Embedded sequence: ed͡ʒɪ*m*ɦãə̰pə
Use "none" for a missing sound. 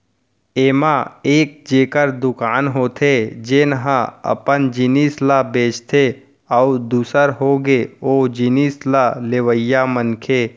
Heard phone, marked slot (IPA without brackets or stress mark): n